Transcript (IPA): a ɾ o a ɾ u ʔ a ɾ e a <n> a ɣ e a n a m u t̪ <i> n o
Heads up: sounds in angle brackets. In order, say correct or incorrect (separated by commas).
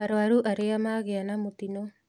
incorrect, correct